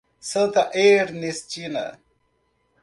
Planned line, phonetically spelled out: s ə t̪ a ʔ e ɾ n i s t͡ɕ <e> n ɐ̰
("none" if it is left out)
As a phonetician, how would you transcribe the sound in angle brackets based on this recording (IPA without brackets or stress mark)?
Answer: i